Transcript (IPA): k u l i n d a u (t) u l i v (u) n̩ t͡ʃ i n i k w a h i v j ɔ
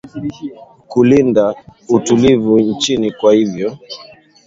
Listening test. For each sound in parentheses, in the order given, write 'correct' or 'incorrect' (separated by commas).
correct, correct